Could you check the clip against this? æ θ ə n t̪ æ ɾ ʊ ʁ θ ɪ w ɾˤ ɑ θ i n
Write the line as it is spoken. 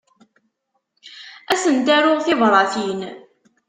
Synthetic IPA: æ s ə n t̪ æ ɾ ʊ ʁ θ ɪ v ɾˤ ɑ θ i n

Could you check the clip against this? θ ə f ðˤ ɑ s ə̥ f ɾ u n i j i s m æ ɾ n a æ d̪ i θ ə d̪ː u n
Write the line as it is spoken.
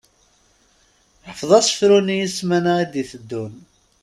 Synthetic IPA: ħ ə f ðˤ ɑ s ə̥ f ɾ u n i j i s m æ n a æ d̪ i θ ə d̪ː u n

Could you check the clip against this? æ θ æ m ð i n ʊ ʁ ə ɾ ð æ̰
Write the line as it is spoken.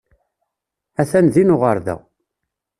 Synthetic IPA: æ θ æ n ð i n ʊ ʁ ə ɾ ð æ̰

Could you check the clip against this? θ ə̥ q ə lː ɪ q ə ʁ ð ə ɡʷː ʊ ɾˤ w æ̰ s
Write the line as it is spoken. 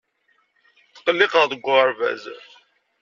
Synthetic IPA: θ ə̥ q ə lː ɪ q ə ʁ ð ə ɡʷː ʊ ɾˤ v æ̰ z

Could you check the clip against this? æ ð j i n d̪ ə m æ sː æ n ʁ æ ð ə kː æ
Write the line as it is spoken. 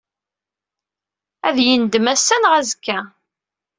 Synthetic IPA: æ ð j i n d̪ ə m æ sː æ n ʁ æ z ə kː æ

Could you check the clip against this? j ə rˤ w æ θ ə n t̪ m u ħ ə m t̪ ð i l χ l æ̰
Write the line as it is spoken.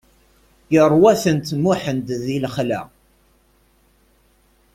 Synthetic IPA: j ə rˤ w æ θ ə n t̪ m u ħ ə n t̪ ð i l χ l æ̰

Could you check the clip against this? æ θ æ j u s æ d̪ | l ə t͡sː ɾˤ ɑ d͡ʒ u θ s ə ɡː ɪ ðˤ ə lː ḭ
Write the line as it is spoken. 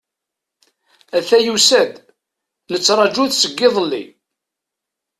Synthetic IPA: æ θ æ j u s æ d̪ | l ə t͡sː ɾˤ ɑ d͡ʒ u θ s ə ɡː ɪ ðˤ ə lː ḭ

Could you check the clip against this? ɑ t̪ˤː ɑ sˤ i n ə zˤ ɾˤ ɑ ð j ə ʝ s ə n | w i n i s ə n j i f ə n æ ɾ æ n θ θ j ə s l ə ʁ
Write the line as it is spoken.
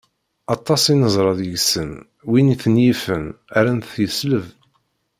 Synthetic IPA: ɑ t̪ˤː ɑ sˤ i n ə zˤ ɾˤ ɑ ð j ə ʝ s ə n | w i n i θ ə n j i f ə n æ ɾ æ n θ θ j ə s l ə v

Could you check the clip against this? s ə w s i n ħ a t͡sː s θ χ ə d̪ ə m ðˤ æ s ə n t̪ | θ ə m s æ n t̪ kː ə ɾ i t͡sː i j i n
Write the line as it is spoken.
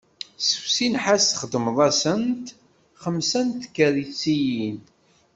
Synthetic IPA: s ə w s i n ħ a s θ χ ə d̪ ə m ðˤ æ s ə n t̪ | χ ə m s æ n t̪ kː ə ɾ i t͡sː i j i n

